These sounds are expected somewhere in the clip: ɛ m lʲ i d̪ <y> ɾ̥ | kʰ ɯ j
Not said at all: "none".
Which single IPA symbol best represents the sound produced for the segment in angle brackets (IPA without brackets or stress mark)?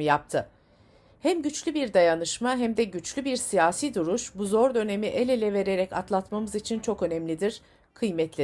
i